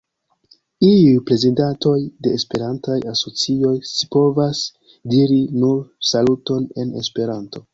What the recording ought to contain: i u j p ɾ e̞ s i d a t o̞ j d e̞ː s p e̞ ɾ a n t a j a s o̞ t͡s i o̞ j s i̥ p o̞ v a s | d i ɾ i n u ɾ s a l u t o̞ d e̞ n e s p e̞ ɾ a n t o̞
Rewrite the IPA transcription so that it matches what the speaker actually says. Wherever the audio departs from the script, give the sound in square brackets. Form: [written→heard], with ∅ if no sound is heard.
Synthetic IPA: i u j p ɾ e̞ [s→z] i d a t o̞ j d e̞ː s p e̞ ɾ a n t a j a s o̞ t͡s i o̞ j s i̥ p o̞ v a s | d i ɾ i n u ɾ s a l u t o̞ [d→n] e̞ n e s p e̞ ɾ a n t o̞